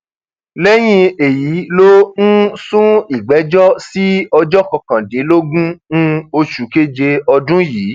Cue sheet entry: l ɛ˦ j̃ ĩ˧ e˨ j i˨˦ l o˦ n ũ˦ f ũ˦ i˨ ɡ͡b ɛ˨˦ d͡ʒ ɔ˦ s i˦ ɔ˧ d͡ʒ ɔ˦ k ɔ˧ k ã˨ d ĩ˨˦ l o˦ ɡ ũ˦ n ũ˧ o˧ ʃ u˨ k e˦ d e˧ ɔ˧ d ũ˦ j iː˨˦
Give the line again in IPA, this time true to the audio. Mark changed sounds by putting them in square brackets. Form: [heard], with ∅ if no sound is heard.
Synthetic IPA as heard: l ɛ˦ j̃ ĩ˧ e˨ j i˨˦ l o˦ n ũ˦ [s] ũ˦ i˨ ɡ͡b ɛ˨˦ d͡ʒ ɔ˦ s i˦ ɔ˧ d͡ʒ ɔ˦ k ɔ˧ k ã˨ d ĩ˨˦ l o˦ ɡ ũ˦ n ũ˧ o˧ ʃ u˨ k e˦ [d͡ʒ] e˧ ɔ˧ d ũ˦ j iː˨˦